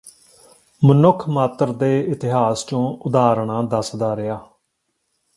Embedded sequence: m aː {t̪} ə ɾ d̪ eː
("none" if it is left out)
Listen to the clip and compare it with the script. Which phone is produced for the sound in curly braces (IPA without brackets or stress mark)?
t̪